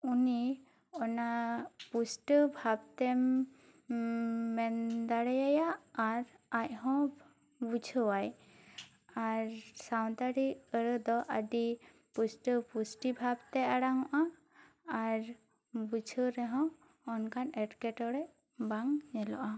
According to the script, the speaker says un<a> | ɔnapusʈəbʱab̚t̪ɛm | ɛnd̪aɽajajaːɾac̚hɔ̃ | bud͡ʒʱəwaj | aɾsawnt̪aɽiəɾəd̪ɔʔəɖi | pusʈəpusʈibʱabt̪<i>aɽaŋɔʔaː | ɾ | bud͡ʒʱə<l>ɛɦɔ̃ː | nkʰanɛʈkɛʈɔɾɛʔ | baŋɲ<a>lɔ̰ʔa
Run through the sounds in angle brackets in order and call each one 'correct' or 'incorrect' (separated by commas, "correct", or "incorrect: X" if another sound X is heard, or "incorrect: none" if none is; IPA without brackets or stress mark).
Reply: incorrect: i, incorrect: ɛ, incorrect: ɾ, incorrect: ɛ